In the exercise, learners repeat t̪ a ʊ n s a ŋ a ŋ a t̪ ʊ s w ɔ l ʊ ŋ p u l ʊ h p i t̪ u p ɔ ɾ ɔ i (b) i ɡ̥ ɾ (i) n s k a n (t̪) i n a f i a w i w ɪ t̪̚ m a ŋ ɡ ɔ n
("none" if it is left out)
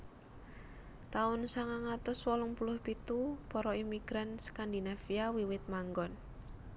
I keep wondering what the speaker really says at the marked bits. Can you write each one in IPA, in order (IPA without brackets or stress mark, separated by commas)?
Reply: m, a, d̪